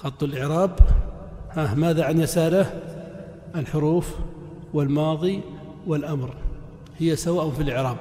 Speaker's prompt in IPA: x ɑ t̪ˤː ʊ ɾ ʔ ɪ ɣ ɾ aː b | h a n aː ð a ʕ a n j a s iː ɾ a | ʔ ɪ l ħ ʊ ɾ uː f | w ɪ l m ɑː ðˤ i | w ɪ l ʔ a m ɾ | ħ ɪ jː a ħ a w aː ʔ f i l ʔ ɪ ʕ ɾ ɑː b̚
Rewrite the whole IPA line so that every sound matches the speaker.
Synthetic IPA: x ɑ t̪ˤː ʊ l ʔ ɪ ʕ ɾ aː b | h a m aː ð a ʕ a n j a s aː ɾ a | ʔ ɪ l ħ ʊ ɾ uː f | w ɪ l m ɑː ðˤ i | w ɪ l ʔ a m ɾ | h ɪ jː a s a w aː ʔ f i l ʔ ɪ ʕ ɾ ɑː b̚